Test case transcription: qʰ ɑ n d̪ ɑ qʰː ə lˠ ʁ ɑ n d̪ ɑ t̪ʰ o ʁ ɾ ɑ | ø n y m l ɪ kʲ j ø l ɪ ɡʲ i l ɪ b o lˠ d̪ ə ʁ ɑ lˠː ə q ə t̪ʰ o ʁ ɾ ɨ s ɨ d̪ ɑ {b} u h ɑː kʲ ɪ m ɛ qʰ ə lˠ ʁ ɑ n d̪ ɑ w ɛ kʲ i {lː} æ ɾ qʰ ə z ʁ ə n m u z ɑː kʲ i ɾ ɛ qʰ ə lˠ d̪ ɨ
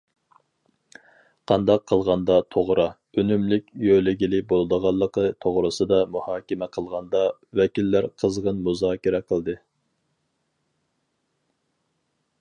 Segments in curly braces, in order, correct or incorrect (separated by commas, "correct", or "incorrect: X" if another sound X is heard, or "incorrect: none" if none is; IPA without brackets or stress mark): incorrect: m, correct